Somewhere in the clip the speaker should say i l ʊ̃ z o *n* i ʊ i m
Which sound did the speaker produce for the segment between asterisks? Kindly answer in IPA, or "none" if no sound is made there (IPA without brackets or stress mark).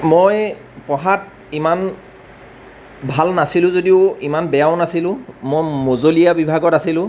d